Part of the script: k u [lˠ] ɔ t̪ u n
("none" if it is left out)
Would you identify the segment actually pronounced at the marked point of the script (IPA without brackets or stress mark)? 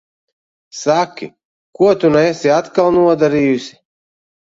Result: none